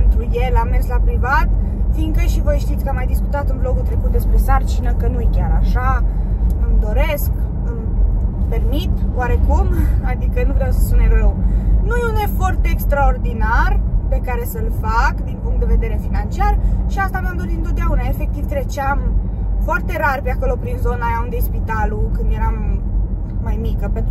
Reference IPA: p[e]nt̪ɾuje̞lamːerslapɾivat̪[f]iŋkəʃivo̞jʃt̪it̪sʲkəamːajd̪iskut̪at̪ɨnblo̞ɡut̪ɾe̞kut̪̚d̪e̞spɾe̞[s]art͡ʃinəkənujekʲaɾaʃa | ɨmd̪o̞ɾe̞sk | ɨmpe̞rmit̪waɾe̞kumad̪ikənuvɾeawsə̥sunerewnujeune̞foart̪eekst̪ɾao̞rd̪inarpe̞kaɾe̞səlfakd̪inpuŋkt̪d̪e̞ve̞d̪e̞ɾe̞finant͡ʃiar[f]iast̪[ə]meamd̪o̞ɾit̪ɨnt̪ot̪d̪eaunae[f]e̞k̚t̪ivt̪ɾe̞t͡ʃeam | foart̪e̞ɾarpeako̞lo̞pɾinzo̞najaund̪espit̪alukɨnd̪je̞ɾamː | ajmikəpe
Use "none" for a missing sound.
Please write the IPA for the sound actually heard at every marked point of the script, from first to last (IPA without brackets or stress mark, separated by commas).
e, f, s, ʃ, a, f